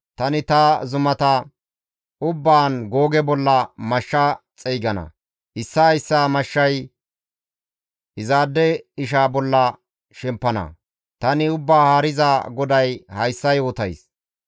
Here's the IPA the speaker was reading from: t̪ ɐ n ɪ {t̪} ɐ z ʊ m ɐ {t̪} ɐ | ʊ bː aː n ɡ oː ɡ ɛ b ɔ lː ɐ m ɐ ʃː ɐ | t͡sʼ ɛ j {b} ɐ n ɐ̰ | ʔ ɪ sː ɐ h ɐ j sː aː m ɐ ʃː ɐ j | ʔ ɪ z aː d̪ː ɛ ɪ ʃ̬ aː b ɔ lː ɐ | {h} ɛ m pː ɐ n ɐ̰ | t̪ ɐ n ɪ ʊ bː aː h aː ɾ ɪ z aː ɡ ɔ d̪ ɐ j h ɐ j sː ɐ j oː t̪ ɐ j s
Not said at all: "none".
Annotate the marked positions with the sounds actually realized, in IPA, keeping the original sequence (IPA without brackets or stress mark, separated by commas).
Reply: t̪, t̪, ɡ, ʃ